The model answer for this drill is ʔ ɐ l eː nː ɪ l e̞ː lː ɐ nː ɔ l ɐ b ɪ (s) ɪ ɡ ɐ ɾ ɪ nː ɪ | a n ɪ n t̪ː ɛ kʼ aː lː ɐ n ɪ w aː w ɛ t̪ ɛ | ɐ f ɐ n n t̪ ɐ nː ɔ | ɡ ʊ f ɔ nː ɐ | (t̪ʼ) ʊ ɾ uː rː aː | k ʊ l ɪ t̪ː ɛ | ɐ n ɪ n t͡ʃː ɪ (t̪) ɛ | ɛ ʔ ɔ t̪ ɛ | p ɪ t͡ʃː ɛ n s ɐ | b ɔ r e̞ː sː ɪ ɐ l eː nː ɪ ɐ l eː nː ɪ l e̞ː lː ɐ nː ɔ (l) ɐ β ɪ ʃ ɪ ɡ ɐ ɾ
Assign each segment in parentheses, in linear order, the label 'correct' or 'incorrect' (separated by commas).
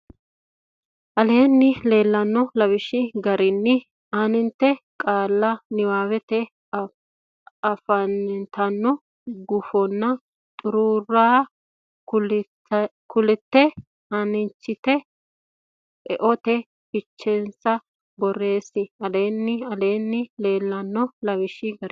incorrect, correct, correct, correct